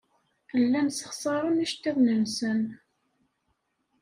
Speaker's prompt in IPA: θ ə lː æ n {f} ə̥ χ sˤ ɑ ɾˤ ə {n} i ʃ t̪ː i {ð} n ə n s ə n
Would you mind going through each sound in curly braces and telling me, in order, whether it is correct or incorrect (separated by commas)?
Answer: incorrect, correct, correct